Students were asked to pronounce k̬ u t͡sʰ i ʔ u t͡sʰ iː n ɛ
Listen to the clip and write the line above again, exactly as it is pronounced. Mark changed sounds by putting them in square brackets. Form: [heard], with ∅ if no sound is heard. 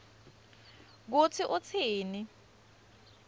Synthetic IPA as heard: k̬ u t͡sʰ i ʔ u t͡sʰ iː n [i]